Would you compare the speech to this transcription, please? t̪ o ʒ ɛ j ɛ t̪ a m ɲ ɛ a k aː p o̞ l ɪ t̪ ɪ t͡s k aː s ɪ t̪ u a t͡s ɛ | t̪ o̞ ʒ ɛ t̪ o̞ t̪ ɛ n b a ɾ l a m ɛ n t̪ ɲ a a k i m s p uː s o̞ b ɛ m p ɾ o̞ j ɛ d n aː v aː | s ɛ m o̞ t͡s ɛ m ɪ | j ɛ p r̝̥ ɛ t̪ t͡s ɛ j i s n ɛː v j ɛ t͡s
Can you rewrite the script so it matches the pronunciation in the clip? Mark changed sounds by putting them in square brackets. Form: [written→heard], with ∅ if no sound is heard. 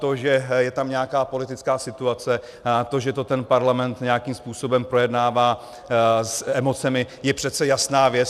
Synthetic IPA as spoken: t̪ o ʒ ɛ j ɛ t̪ a m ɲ ɛ a k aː p o̞ l ɪ t̪ ɪ t͡s k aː s ɪ t̪ u a t͡s ɛ | t̪ o̞ ʒ ɛ t̪ o̞ t̪ ɛ n [b→p] a ɾ l a m ɛ n t̪ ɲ [a→ɛ] a k i m s p uː s o̞ b ɛ m p ɾ o̞ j ɛ d n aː v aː | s ɛ m o̞ t͡s ɛ m ɪ | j ɛ p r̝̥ ɛ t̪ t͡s ɛ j [i→a] s n [ɛː→aː] v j ɛ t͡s